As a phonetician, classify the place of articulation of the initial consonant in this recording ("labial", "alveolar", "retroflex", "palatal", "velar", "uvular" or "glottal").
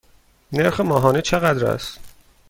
alveolar